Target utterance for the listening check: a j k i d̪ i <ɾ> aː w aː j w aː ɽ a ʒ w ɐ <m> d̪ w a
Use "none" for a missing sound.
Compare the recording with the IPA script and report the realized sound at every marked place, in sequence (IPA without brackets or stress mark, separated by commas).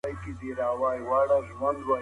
ɾ, n